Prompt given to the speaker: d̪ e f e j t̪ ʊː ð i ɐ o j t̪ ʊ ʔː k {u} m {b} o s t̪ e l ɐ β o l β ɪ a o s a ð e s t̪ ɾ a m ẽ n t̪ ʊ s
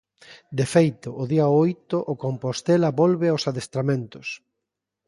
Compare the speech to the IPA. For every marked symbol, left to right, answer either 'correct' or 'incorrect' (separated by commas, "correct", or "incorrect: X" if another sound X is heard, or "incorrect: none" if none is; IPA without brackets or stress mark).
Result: incorrect: o, incorrect: p